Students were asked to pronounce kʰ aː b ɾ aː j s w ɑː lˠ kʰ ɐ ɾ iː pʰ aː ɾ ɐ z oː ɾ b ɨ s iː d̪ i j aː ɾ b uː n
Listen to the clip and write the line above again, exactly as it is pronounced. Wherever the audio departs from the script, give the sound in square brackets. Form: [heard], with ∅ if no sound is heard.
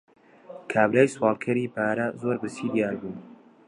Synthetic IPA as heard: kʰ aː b ɾ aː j s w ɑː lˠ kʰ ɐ ɾ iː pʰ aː ɾ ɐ z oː ɾ b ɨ s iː d̪ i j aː ɾ b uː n